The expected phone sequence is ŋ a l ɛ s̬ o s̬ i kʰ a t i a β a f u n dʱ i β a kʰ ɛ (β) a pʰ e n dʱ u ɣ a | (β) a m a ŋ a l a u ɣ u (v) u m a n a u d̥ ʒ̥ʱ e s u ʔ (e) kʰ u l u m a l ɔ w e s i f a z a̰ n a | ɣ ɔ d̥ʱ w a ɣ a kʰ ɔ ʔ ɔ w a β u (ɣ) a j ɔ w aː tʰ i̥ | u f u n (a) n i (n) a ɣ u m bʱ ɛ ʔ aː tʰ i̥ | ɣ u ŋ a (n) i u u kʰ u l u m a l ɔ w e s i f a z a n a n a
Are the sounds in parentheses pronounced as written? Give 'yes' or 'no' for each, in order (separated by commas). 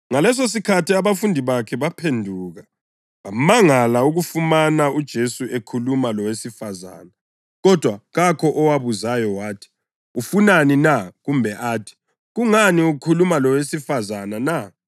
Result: yes, yes, no, yes, no, yes, yes, yes